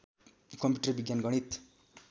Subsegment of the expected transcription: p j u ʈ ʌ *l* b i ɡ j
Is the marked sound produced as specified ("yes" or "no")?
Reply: no